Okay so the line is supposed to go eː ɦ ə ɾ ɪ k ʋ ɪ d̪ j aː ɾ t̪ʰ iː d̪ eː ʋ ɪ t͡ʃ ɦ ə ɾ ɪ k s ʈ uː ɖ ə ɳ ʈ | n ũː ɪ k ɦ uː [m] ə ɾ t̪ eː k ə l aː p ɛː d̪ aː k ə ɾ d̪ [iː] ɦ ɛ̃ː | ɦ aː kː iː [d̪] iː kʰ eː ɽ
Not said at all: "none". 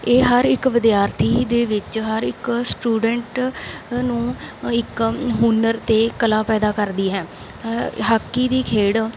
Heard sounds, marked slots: n, iː, d̪

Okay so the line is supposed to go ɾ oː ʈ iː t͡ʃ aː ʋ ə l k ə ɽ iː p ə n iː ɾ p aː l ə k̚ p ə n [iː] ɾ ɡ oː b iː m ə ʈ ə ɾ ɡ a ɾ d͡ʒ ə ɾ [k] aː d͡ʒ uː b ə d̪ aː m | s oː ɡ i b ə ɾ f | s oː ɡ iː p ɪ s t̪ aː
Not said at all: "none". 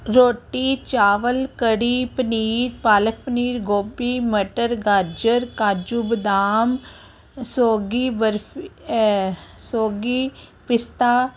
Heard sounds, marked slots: iː, k

